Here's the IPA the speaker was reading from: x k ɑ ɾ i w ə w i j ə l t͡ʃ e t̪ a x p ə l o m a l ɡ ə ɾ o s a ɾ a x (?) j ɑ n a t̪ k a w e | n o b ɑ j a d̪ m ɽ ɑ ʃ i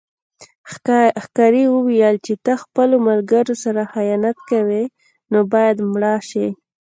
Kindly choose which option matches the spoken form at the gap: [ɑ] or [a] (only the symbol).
a